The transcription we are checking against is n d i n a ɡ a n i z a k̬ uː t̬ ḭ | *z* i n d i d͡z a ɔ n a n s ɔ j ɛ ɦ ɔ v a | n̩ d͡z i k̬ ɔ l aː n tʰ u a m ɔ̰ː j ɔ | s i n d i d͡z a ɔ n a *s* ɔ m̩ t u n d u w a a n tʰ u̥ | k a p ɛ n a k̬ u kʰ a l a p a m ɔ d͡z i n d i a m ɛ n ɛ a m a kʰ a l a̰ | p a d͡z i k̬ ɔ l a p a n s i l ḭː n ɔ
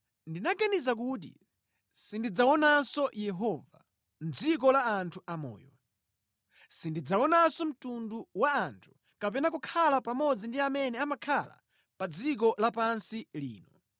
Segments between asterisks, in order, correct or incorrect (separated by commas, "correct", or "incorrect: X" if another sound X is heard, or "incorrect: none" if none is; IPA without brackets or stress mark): incorrect: s, correct